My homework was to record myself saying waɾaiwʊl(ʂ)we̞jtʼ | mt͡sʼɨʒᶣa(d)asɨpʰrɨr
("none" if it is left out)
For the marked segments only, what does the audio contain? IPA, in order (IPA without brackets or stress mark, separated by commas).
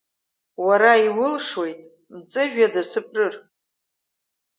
ʂ, d